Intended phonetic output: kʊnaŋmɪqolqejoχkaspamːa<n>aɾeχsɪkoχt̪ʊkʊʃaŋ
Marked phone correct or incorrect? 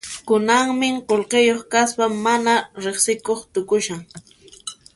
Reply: correct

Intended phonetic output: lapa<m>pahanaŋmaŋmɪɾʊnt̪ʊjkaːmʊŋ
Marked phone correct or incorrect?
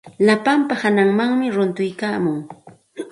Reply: correct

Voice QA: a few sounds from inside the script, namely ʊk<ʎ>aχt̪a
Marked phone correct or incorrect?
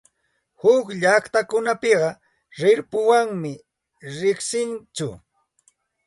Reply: correct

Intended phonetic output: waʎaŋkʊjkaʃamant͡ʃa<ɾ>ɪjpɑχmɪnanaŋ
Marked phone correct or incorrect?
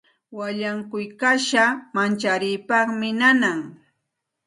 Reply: correct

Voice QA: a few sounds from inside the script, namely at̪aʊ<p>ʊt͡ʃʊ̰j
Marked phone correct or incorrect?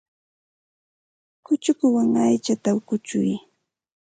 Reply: incorrect: k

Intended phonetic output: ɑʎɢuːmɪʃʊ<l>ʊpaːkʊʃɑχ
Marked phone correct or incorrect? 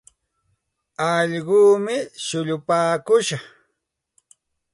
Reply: incorrect: ʎ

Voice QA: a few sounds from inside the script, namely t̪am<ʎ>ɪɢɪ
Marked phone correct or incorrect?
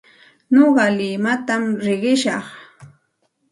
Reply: incorrect: ɾ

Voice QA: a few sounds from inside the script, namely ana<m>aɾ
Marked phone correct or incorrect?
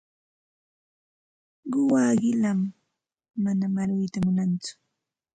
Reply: correct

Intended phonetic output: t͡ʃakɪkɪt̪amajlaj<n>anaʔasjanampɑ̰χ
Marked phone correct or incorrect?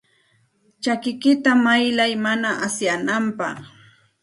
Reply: incorrect: m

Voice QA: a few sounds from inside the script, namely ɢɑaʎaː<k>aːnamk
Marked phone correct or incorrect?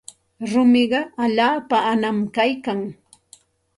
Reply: incorrect: p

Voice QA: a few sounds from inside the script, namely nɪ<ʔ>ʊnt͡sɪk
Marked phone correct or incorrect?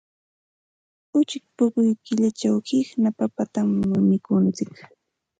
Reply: incorrect: k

